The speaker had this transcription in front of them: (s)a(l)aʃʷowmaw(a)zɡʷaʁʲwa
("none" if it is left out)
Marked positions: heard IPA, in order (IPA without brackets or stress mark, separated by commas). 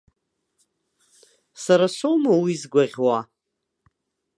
s, ɾ, i